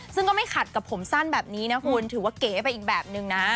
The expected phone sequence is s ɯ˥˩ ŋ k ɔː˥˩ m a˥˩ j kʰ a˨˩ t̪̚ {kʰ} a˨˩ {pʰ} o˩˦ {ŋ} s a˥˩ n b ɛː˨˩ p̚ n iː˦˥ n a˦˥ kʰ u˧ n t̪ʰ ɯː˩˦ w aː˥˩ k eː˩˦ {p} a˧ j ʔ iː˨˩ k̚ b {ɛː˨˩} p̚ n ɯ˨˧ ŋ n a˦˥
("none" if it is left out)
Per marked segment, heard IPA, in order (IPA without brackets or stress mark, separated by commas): k, pʰ, m, p, ɛː˨˩